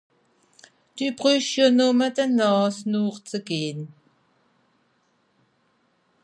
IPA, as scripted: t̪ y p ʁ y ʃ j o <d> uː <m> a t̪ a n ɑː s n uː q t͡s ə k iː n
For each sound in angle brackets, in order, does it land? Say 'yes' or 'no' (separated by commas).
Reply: no, yes